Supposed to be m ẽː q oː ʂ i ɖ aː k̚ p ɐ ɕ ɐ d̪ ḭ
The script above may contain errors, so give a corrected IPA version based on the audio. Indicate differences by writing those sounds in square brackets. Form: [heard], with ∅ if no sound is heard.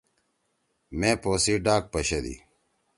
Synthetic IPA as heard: m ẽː [p] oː [s] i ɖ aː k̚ p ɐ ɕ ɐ d̪ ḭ